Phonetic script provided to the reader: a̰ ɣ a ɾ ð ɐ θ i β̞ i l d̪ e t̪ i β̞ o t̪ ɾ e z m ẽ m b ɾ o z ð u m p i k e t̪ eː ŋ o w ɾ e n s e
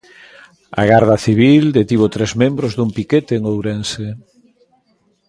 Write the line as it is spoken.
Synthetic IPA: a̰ ɣ a ɾ ð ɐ θ i β̞ i l d̪ e t̪ i β̞ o t̪ ɾ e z m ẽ m b ɾ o z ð u m p i k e t̪ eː ŋ o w ɾ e n s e